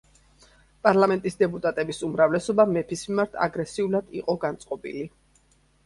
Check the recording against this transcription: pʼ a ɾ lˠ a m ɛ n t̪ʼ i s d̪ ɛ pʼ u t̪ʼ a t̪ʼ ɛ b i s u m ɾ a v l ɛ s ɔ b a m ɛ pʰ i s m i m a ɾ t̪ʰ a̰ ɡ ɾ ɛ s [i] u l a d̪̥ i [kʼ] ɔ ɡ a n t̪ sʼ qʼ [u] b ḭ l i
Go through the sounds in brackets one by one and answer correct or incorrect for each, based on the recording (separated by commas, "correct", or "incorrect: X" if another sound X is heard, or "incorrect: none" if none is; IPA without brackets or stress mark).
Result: correct, incorrect: qʼ, incorrect: ɔ